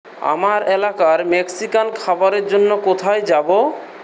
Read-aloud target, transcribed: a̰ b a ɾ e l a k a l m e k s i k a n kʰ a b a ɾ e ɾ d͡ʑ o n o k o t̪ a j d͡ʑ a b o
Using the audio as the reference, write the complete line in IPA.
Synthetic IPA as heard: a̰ m a ɾ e l a k a ɾ m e k s i k a n kʰ a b a ɾ e ɾ d͡ʑ o nː o k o t̪ʰ a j d͡ʑ a b o